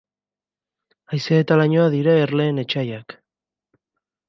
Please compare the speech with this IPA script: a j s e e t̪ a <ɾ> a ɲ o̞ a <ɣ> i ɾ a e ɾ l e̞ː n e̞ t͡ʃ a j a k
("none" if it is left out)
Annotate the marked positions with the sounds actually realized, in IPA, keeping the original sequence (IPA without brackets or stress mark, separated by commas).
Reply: l, ð